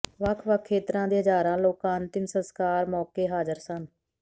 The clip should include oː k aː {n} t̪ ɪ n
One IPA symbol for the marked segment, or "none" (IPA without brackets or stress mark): n